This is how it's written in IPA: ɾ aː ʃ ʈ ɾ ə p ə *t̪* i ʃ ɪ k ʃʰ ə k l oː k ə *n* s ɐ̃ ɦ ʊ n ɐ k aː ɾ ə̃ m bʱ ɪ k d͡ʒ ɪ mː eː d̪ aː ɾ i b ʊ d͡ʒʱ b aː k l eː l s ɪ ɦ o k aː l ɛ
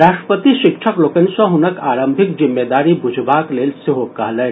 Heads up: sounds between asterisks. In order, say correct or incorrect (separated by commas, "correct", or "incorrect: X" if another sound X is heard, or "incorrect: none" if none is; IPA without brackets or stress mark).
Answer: correct, correct